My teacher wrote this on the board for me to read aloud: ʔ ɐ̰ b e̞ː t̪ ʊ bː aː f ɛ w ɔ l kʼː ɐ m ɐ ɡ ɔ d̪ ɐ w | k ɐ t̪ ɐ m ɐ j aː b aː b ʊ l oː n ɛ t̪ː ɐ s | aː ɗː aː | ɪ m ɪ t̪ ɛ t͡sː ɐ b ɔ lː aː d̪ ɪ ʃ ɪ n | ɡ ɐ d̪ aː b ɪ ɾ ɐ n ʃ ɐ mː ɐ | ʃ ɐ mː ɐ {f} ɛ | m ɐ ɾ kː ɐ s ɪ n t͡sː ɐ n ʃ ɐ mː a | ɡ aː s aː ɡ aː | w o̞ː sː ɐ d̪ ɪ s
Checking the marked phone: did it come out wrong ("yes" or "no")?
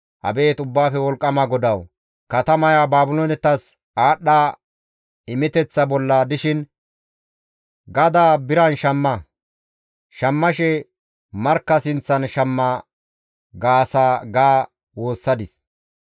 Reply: yes